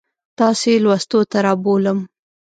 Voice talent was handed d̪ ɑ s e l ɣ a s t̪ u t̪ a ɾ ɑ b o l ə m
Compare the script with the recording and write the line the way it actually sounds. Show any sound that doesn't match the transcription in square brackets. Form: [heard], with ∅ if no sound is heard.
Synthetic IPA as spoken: [t̪] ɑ s e l [w] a s t̪ [o] t̪ a ɾ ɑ b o l ə m

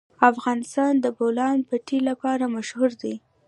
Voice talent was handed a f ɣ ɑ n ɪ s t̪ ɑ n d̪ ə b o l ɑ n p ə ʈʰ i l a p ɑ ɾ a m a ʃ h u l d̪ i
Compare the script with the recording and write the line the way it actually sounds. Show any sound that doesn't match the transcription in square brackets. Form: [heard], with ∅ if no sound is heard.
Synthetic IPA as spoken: a f ɣ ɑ n ɪ s t̪ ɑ n d̪ ə b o l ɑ n p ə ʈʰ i l a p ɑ ɾ a m a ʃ h u [ɾ] d̪ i

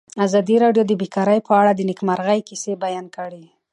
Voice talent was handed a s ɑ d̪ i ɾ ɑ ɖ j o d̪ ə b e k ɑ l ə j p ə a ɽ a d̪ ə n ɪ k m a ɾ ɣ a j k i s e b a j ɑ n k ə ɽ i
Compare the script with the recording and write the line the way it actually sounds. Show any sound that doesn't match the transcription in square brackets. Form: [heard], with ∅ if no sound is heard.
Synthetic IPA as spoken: a [z] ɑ d̪ i ɾ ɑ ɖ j o d̪ ə b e k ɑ [ɾ] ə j p ə a ɽ a d̪ ə n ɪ k m a ɾ ɣ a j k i s e b a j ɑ n k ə ɽ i

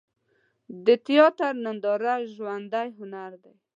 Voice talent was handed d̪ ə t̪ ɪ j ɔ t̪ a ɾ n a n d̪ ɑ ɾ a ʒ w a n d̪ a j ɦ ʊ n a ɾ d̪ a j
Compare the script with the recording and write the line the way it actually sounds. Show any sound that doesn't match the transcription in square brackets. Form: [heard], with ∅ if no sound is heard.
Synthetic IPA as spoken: d̪ ə t̪ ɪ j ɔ t̪ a ɾ n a n d̪ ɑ ɾ a ʒ w a n d̪ a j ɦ ʊ n a ɾ d̪ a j

